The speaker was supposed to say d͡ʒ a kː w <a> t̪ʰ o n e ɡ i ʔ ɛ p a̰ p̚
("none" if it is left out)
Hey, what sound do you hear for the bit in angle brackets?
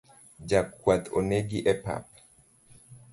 a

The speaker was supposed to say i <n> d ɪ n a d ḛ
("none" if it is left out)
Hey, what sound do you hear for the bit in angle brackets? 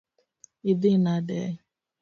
none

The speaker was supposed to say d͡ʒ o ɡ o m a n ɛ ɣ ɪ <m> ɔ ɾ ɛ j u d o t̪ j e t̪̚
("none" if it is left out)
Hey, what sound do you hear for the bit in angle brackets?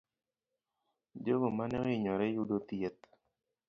ɲ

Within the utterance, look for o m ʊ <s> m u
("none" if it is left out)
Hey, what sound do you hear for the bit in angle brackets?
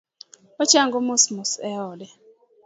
s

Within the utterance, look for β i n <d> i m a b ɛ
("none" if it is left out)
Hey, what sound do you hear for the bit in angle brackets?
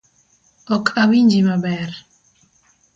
d͡ʒ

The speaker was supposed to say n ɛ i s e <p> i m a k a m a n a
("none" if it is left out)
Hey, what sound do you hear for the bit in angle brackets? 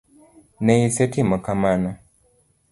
t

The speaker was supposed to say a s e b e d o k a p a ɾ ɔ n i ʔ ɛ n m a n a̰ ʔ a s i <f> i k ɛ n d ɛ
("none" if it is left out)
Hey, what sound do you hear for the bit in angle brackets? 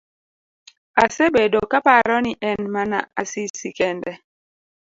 s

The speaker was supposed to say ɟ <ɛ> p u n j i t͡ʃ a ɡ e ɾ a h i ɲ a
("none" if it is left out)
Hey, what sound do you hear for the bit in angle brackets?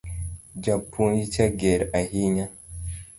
a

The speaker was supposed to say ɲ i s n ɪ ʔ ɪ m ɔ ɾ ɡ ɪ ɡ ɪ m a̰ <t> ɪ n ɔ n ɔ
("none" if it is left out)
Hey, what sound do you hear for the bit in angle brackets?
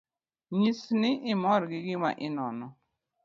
ʔ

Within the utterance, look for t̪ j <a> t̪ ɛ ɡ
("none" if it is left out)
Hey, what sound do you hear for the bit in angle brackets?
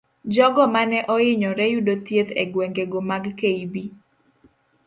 e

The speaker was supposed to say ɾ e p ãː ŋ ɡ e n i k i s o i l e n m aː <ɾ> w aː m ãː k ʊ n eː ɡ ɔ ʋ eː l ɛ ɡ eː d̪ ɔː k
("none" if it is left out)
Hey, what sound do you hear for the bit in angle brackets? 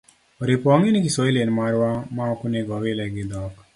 ɾ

